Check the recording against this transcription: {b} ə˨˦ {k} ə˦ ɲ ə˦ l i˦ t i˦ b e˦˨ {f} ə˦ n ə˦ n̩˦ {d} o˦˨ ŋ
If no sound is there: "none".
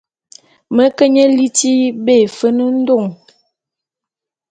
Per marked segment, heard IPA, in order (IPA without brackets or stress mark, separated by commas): m, k, f, d